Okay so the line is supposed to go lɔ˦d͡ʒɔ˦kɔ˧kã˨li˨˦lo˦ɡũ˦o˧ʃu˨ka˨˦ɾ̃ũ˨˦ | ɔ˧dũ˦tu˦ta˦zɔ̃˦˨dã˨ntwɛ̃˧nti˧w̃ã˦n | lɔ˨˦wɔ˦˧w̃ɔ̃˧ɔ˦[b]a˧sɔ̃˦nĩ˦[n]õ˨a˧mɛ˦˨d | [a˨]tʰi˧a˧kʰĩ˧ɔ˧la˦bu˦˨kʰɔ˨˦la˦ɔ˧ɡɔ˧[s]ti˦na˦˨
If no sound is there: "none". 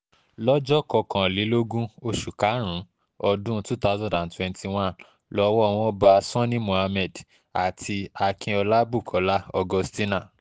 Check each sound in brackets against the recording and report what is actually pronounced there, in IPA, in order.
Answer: b, m, a˨, s

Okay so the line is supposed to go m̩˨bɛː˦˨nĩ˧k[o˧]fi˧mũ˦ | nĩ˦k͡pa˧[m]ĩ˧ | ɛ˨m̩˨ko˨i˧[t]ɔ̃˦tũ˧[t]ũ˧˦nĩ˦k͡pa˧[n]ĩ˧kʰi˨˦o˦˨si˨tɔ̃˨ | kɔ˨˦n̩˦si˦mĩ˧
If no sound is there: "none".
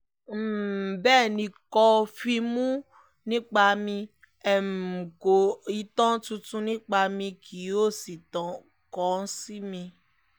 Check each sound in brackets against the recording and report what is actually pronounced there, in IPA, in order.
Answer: ɔ˧, m, t, t, m

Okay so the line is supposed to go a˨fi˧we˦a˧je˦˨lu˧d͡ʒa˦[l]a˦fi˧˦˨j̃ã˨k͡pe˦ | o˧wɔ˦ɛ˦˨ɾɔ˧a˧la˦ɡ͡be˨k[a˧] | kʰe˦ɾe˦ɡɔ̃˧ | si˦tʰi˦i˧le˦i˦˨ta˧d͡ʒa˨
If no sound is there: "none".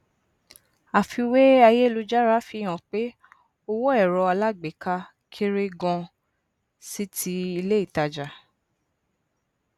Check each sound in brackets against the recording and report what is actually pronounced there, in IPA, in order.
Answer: ɾ, a˧

